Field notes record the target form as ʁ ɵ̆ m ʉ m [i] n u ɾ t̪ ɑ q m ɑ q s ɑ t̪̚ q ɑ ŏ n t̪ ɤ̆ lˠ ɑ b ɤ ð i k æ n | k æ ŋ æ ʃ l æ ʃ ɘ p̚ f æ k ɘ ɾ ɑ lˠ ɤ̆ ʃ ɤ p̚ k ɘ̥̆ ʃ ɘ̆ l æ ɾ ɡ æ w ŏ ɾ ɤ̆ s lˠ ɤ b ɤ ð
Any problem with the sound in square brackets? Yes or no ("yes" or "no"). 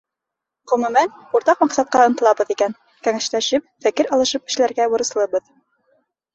yes